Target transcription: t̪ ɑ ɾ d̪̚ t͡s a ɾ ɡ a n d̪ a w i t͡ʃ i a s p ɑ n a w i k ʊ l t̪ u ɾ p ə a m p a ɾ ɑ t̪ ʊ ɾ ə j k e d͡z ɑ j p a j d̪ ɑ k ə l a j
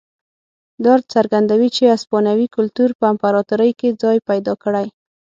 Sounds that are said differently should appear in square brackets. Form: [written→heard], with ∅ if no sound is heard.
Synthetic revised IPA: [t̪→d̪] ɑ ɾ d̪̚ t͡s a ɾ ɡ a n d̪ a w i t͡ʃ [i→e] a s p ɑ n a w i k ʊ l t̪ u ɾ p ə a m p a ɾ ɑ t̪ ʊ ɾ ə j k e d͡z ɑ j p a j d̪ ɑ k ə [l→ɽ] a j